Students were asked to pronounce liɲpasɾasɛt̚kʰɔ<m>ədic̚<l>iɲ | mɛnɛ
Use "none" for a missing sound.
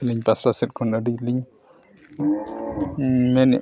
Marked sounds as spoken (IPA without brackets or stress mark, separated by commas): n, l